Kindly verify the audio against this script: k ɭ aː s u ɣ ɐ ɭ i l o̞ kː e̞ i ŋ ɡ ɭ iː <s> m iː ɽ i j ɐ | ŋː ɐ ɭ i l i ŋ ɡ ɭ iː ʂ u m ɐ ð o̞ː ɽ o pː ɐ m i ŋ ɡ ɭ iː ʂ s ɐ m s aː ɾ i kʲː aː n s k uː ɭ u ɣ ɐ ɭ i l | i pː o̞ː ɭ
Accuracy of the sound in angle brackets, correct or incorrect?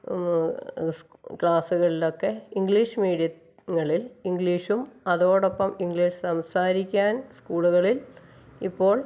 incorrect: ʂ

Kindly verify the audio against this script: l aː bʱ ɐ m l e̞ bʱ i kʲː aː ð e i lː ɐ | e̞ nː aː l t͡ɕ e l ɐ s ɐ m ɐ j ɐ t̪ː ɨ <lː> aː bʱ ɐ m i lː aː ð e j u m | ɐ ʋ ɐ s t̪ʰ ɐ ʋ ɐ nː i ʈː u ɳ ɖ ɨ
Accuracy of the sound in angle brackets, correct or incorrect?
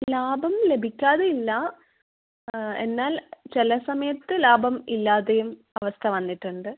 incorrect: l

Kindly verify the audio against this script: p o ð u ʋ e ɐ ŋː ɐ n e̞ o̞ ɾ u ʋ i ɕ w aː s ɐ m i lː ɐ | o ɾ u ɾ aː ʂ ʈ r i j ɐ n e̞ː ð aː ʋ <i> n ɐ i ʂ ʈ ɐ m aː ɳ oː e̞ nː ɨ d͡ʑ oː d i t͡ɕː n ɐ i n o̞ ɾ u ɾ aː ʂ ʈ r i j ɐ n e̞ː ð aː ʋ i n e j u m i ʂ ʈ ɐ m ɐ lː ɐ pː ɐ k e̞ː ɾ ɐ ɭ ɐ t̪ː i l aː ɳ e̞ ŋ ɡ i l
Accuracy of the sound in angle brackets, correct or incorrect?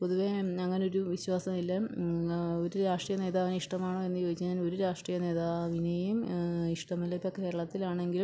correct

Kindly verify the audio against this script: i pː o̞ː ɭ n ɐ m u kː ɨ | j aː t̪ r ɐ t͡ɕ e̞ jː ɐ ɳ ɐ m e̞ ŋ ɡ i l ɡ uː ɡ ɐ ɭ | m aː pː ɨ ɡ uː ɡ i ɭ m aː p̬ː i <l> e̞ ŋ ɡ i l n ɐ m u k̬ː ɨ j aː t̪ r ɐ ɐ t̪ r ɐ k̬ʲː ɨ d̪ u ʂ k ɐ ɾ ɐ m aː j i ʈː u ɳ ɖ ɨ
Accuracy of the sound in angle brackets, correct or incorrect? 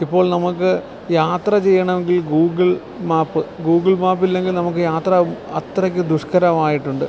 incorrect: lː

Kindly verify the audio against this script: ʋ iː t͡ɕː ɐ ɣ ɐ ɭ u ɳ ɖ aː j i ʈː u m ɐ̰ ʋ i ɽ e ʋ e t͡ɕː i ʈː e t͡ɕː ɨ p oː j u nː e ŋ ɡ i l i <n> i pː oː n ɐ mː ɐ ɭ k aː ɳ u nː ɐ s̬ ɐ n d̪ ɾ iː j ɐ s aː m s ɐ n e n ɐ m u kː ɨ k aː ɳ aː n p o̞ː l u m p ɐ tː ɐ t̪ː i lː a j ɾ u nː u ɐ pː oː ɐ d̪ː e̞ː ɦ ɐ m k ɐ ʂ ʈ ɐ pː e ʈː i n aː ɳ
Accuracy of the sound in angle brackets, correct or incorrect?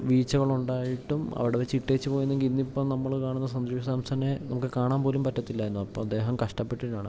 incorrect: nː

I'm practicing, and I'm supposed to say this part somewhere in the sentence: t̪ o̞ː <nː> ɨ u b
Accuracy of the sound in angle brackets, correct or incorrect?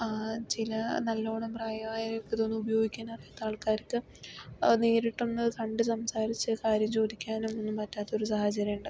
correct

